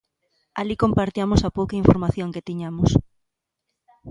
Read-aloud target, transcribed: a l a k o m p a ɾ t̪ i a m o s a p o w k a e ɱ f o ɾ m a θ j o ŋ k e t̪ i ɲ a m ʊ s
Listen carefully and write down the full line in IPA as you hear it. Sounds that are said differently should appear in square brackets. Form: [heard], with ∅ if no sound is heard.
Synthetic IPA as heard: a l [i] k o m p a ɾ t̪ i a m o s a p o w k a [i] ɱ f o ɾ m a θ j o ŋ k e t̪ i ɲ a m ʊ s